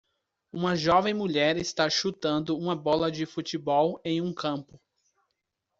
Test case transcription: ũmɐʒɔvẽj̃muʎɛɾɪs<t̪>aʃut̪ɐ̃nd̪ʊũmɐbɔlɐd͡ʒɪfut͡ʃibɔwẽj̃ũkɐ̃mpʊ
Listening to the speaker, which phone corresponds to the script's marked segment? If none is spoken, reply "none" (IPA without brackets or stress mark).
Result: t̪